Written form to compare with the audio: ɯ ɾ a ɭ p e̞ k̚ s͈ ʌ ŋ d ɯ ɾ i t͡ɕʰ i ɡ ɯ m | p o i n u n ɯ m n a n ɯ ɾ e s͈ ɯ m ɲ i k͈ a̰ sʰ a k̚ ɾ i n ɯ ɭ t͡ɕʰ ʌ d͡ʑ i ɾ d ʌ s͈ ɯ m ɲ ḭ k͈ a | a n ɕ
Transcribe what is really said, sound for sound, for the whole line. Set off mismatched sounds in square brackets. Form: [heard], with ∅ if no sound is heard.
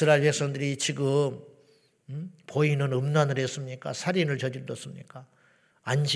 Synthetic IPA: ɯ ɾ a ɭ p e̞ k̚ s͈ ʌ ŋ d ɯ ɾ i [t͡ɕ] i ɡ ɯ m | p o i n [ɯ] n ɯ m n a n ɯ ɾ e s͈ ɯ m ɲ i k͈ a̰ sʰ a [∅] ɾ i n ɯ ɭ [t͡ɕ] ʌ d͡ʑ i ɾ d ʌ s͈ ɯ m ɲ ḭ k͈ a | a n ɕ